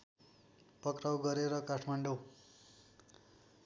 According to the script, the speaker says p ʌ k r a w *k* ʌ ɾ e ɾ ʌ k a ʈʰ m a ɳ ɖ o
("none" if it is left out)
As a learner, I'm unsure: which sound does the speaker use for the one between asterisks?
ɡ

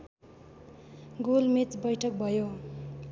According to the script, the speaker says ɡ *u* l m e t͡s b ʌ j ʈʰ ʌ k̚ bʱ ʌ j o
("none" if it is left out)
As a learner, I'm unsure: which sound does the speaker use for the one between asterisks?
o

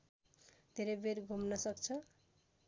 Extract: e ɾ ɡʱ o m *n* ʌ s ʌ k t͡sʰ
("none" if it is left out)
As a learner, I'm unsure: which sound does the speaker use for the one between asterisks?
n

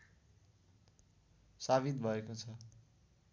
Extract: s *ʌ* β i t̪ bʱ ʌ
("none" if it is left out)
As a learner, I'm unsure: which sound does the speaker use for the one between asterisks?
a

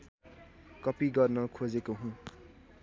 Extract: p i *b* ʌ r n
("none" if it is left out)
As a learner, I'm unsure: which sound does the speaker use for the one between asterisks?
ɡ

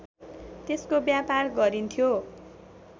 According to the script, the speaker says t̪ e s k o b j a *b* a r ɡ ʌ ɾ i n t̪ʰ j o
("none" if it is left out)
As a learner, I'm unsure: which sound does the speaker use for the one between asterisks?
p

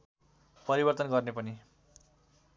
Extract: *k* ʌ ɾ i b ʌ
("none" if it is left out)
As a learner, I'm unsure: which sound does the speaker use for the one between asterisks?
p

